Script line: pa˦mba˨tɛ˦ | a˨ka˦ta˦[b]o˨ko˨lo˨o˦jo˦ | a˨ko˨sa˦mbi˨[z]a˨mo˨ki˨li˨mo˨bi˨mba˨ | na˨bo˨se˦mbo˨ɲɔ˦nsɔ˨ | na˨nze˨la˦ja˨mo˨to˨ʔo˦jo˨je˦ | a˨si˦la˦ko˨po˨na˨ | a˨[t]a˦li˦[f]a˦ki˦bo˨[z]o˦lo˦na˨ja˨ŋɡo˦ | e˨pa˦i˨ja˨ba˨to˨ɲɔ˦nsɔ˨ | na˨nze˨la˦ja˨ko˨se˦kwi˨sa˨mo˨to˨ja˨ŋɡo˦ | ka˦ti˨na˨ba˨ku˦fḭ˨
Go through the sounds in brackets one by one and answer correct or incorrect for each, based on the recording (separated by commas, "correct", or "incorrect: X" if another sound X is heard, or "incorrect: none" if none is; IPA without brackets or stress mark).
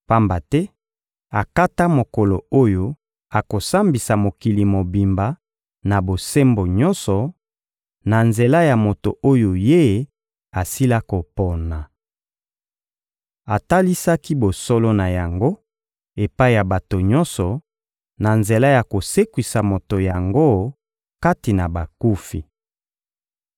incorrect: m, incorrect: s, correct, incorrect: s, incorrect: s